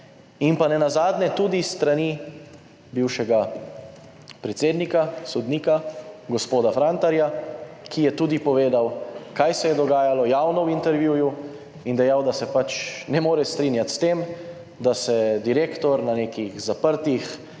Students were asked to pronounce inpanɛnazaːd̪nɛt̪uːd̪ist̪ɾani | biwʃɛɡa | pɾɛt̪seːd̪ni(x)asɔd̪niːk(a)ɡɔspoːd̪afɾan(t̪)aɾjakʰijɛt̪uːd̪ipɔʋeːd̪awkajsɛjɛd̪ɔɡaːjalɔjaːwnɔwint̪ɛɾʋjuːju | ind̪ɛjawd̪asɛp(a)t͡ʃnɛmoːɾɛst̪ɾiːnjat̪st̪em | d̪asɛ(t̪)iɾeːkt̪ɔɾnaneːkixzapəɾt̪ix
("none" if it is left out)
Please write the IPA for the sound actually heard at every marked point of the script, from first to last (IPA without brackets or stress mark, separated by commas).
k, a, t̪, a, d̪